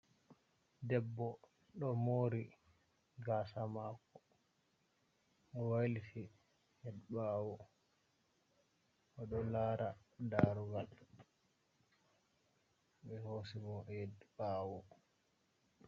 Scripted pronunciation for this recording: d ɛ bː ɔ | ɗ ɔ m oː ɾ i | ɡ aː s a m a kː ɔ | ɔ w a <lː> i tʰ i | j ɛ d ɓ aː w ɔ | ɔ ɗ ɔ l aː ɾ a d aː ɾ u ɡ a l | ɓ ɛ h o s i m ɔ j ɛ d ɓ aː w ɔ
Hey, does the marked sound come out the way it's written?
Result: no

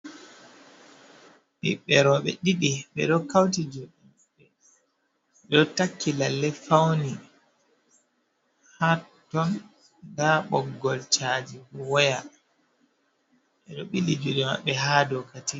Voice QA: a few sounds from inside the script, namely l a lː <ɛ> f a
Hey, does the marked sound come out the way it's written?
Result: yes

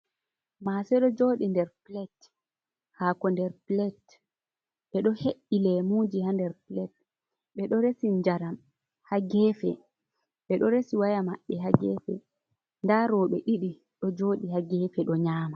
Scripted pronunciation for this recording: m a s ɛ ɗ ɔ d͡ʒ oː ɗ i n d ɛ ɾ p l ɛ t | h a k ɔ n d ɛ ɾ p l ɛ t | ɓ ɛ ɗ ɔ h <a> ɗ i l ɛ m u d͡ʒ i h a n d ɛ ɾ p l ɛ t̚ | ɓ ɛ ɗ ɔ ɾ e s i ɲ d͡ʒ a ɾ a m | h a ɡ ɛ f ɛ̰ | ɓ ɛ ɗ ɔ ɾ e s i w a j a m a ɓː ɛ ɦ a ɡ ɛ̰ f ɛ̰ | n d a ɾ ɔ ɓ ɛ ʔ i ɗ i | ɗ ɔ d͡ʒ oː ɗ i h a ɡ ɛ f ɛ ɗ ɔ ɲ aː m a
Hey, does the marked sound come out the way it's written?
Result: no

